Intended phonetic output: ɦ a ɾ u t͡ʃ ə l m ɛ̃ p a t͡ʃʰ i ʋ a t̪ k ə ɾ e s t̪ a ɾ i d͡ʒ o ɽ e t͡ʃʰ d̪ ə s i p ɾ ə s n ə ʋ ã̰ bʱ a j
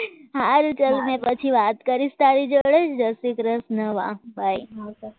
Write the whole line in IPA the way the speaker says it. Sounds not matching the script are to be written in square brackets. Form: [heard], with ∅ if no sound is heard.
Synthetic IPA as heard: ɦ a ɾ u t͡ʃ ə l m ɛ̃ p [ə] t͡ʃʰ i ʋ a t̪ k ə ɾ [i] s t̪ a ɾ i d͡ʒ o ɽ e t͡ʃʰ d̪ ə s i [k] ɾ ə s n ə ʋ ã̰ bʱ a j